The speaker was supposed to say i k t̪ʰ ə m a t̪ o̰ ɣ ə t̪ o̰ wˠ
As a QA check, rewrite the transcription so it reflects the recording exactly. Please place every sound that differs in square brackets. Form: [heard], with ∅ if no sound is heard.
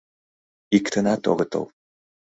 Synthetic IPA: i k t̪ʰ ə [n] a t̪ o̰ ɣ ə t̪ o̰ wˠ